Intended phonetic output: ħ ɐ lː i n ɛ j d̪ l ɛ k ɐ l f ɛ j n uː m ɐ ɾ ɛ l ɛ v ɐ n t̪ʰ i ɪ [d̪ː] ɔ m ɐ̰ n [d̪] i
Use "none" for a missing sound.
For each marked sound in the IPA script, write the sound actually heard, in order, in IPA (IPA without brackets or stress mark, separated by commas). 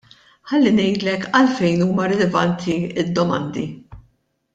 d̪ː, d̪